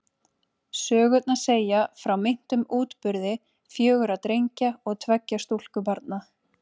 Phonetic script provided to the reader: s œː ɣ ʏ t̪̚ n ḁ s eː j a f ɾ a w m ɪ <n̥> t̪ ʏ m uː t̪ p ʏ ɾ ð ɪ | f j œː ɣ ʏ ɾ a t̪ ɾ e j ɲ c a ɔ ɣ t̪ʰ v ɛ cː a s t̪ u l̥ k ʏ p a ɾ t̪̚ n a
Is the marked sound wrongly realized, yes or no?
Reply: no